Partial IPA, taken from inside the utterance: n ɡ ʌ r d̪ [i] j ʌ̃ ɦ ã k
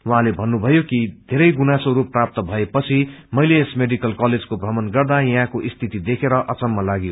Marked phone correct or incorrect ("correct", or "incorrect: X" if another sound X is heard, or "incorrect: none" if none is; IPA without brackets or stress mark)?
incorrect: a